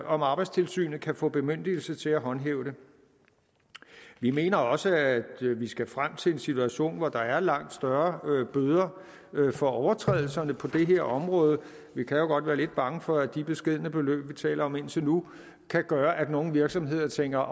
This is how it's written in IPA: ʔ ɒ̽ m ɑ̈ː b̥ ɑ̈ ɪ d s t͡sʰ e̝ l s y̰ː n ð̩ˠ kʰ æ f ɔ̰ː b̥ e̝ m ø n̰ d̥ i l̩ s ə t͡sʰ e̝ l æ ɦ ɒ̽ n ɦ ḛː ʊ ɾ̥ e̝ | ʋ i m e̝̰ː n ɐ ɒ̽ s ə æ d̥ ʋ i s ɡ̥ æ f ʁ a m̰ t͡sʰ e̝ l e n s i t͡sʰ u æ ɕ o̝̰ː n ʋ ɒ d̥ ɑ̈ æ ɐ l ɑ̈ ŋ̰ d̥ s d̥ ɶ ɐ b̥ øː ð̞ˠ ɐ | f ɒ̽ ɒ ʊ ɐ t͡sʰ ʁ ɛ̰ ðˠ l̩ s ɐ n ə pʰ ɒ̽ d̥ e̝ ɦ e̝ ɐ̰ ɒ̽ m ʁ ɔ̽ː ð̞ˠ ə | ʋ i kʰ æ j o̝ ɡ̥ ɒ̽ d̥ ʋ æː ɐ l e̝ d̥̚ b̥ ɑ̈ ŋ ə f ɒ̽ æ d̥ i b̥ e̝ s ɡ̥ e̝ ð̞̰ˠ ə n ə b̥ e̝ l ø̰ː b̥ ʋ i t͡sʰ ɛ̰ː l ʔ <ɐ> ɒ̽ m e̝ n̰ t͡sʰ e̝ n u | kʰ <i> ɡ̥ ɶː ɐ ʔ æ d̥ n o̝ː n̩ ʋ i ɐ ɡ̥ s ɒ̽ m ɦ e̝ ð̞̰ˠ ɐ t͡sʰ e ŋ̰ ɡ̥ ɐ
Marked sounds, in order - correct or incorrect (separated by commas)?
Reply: correct, incorrect